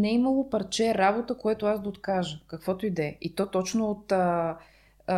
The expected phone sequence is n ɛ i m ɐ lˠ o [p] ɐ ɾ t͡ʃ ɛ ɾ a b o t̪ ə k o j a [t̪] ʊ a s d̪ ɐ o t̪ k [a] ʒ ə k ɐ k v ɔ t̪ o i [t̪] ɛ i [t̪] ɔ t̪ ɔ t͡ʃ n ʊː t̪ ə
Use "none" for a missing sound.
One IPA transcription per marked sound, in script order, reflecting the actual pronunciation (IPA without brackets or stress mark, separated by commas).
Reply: p, t̪, a, d̪, t̪